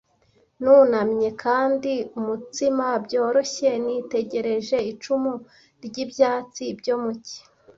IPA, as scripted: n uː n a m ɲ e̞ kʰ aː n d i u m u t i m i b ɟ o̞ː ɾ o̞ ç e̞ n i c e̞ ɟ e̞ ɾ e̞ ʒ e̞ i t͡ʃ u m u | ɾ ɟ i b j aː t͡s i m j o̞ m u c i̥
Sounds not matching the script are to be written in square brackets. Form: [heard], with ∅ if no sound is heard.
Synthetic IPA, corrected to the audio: n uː n a m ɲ e̞ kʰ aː n d i u m u t i m [a] b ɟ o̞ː ɾ o̞ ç e̞ n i [t] e̞ ɟ e̞ ɾ e̞ ʒ e̞ i t͡ʃ u m u | ɾ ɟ i b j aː t͡s i [b] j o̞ m u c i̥